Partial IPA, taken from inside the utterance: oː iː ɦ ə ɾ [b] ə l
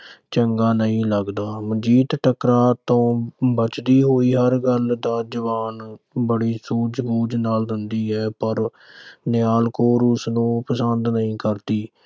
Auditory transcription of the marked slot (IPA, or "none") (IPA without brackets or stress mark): ɡ